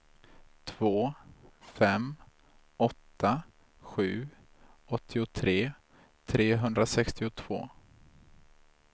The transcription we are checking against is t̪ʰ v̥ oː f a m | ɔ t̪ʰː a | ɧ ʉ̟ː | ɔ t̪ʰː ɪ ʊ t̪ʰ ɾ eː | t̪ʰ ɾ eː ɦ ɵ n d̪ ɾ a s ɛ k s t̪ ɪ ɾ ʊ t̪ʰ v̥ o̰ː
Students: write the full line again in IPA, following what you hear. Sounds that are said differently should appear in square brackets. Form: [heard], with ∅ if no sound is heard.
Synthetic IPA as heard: t̪ʰ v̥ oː f [ɛ] m | ɔ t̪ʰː a | ɧ ʉ̟ː | ɔ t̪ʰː ɪ ʊ t̪ʰ ɾ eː | t̪ʰ ɾ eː ɦ ɵ n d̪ ɾ a s ɛ k s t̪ ɪ [∅] ʊ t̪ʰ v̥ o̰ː